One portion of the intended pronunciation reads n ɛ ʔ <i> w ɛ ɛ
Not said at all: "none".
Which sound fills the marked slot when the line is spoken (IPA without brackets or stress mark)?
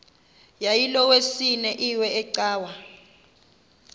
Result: i